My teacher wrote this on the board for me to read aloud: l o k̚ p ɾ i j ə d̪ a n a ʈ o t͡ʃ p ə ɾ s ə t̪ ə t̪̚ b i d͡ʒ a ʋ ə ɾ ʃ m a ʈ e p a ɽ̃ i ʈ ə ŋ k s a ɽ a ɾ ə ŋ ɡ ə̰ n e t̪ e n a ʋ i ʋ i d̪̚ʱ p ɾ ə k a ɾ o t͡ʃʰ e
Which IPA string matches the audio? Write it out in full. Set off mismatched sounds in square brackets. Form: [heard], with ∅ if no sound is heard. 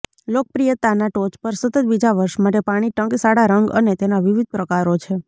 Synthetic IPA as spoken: l o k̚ p ɾ i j ə [t̪] a n a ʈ o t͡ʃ p ə ɾ s ə t̪ ə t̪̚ b i d͡ʒ a ʋ ə ɾ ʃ m a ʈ e p a ɽ̃ i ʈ ə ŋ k s a ɽ a ɾ ə ŋ ɡ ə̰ n e t̪ e n a ʋ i ʋ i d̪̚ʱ p ɾ ə k a ɾ o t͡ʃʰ e